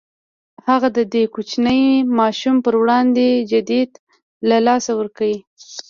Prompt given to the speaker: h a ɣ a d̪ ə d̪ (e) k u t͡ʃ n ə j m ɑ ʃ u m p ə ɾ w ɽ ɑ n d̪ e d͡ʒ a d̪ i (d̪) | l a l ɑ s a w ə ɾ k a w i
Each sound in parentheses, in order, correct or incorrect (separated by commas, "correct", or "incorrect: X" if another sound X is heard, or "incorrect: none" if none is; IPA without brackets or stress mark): correct, correct